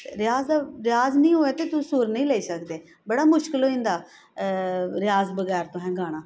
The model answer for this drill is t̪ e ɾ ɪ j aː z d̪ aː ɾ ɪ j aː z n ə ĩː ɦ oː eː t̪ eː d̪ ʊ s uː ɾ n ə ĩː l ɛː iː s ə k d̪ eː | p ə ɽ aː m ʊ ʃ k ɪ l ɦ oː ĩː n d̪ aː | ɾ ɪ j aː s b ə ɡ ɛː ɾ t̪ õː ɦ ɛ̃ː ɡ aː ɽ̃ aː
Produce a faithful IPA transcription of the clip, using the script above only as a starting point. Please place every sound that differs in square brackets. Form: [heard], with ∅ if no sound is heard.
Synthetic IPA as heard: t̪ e ɾ ɪ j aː z d̪ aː ɾ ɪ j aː z n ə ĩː ɦ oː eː t̪ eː [t̪] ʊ s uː ɾ n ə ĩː l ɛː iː s ə k d̪ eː | [b] ə ɽ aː m ʊ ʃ k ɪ l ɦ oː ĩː n d̪ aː | ɾ ɪ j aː [z] b ə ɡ ɛː ɾ t̪ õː ɦ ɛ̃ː ɡ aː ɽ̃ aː